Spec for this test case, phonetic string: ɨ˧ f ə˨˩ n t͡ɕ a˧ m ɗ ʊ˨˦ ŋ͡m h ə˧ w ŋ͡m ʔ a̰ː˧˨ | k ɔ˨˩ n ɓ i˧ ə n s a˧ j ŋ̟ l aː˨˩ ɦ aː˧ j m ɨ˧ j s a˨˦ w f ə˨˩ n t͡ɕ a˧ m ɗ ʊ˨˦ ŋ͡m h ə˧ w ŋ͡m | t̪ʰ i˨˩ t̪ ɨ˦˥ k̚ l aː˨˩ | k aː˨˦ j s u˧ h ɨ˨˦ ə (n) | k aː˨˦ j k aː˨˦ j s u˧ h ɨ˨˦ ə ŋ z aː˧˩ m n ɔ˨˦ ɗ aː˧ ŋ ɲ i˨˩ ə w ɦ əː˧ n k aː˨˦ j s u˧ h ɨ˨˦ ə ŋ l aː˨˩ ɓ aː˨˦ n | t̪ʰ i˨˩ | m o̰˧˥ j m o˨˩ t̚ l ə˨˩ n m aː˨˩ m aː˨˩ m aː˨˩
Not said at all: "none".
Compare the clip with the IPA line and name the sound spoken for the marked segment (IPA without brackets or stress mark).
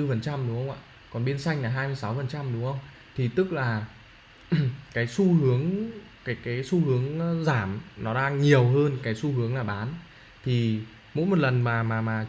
ŋ